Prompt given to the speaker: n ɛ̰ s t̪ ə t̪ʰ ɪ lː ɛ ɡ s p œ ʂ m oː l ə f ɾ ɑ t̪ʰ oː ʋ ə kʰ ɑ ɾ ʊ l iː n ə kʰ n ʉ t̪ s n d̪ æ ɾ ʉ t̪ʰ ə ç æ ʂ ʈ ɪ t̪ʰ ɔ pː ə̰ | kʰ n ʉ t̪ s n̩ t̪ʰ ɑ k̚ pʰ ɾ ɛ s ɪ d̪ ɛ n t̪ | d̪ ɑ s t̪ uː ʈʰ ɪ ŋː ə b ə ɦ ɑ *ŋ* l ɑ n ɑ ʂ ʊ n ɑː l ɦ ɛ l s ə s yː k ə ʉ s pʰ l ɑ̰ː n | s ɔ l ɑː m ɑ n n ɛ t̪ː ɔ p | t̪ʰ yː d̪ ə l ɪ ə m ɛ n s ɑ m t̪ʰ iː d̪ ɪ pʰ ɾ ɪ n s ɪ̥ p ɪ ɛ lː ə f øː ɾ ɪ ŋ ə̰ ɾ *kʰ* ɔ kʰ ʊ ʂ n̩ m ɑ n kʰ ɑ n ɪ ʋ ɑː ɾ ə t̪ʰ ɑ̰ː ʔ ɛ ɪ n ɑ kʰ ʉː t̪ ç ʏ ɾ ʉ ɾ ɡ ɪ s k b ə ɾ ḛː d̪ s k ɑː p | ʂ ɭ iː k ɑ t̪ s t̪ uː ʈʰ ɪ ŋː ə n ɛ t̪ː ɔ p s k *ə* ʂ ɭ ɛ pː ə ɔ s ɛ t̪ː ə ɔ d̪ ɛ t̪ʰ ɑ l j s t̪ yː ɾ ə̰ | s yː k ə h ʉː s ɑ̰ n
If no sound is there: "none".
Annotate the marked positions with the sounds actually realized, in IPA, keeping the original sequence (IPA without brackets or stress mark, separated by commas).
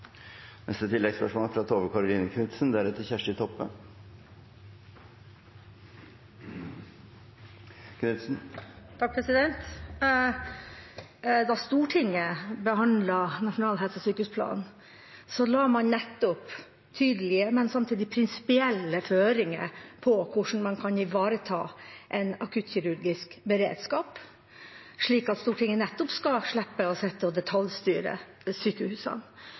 n, pʰ, ɑ